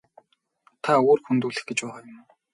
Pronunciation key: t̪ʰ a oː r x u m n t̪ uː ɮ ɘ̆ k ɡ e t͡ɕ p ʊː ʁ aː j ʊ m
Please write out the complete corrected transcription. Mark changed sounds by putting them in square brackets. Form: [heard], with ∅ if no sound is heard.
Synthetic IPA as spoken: t̪ʰ a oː r x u [∅] n t̪ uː ɮ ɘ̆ [x] ɡ e t͡ɕ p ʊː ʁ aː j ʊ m